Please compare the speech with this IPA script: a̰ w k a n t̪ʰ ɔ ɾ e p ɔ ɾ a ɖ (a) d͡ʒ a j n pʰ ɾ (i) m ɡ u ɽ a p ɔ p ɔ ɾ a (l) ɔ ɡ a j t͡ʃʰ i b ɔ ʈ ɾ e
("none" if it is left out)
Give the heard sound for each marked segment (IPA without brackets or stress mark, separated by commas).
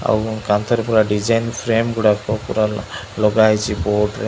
i, e, l